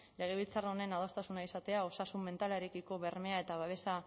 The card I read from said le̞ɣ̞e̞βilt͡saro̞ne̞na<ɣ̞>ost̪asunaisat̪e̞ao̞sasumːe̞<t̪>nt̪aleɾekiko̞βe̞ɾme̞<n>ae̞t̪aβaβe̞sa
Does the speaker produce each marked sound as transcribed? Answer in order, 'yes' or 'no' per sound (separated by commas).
no, no, no